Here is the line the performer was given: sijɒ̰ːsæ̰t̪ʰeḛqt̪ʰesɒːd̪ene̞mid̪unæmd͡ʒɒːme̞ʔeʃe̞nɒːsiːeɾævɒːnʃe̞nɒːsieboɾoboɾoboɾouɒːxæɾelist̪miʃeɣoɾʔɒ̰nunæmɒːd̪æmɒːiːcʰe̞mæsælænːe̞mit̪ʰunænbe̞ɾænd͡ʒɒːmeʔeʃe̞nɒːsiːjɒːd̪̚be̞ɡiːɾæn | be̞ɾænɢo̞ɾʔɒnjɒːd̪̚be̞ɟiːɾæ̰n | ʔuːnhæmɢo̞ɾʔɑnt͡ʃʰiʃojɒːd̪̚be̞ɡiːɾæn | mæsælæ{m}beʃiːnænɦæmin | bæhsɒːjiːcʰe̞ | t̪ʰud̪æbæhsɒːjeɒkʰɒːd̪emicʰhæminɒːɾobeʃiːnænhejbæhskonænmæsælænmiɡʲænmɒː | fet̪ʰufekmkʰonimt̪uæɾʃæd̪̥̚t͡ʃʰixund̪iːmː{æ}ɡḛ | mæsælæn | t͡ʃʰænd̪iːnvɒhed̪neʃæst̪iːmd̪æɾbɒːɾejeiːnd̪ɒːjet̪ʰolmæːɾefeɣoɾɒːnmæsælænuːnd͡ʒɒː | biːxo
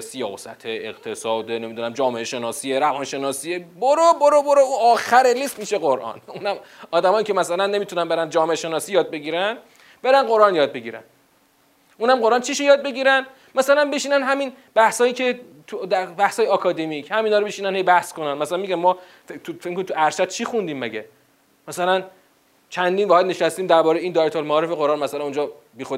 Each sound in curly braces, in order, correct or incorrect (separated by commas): incorrect, correct